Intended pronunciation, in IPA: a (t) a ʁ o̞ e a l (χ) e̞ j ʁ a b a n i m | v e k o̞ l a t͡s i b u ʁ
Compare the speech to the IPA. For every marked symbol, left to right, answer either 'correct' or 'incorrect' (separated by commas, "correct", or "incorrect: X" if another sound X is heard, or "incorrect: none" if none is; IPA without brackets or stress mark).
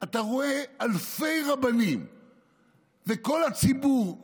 correct, incorrect: f